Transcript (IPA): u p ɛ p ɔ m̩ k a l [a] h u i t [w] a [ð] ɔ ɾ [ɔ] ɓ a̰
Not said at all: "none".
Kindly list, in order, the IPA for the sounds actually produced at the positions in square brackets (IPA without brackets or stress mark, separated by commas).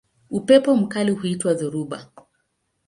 i, w, ð, u